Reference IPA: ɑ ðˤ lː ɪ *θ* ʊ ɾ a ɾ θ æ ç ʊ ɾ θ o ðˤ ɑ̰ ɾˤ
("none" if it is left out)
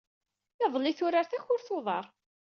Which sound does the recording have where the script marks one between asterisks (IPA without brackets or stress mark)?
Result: θ